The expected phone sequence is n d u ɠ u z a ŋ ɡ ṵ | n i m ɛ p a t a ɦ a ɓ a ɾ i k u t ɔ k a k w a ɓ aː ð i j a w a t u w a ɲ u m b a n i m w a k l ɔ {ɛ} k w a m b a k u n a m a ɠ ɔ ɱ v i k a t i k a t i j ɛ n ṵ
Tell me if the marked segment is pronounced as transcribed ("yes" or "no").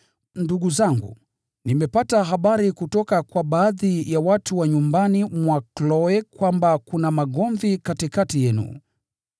yes